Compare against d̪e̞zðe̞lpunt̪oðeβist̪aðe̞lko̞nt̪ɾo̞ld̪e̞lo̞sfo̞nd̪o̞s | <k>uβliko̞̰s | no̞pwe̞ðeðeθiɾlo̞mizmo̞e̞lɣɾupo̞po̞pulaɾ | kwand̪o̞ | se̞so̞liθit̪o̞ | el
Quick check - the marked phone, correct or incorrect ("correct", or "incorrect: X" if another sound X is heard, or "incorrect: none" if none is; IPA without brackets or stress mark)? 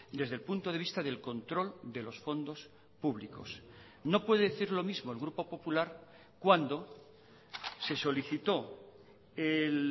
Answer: incorrect: p